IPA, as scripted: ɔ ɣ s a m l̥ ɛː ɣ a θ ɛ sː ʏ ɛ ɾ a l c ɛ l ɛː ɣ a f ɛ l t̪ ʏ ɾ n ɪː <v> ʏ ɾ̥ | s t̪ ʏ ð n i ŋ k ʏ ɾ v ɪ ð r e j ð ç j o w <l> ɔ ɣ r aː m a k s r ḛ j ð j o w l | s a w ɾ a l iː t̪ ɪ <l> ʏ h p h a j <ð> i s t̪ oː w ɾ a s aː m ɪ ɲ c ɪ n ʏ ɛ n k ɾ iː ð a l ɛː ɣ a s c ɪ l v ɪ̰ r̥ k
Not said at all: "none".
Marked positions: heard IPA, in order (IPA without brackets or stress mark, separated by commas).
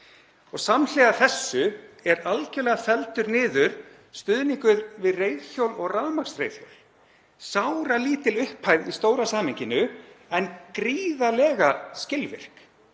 ð, l, l, ð